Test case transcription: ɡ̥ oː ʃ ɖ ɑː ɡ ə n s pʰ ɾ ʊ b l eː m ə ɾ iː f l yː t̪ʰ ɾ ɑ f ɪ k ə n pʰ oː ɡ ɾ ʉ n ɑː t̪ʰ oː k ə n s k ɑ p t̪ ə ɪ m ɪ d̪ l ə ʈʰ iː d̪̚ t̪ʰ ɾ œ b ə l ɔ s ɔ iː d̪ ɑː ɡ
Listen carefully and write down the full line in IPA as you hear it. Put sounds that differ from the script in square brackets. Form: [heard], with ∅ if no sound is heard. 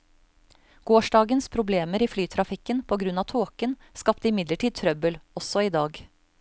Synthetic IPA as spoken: ɡ̥ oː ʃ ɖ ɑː ɡ ə n s pʰ ɾ ʊ b l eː m ə ɾ iː f l yː t̪ʰ ɾ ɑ f ɪ k ə n pʰ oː ɡ ɾ ʉ n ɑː t̪ʰ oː k ə n s k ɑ p t̪ ə ɪ m ɪ d̪ l ə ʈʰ iː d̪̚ t̪ʰ ɾ œ b ə l ɔ s ɔ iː d̪ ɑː ɡ